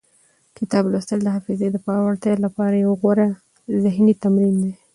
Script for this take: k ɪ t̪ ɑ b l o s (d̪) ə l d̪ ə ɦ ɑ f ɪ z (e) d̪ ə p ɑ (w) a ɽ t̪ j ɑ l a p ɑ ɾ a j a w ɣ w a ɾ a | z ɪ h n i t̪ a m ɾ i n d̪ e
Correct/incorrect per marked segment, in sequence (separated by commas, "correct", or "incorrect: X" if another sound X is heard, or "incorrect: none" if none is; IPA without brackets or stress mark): incorrect: t̪, correct, correct